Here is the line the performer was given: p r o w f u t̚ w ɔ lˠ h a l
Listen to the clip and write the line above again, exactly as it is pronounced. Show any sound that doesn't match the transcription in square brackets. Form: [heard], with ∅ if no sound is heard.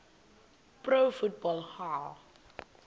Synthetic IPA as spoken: p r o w f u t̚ [b] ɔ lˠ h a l